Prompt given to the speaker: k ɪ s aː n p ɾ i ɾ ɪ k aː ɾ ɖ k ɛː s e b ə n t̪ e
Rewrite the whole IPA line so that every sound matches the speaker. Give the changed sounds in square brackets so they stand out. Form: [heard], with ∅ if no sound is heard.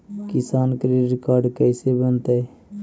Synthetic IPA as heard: k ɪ s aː n [k] ɾ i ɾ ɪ k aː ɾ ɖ k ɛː s e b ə n t̪ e